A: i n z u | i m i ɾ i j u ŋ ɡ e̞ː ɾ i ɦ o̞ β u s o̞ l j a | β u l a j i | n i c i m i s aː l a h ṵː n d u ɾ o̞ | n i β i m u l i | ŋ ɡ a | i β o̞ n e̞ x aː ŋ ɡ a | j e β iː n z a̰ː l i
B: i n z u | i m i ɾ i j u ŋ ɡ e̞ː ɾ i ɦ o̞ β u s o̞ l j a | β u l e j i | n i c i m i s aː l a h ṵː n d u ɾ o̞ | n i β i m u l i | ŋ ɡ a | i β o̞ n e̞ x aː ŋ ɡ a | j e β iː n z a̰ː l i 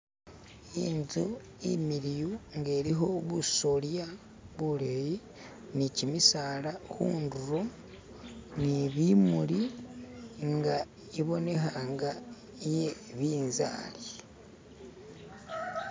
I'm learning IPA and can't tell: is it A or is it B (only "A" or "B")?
B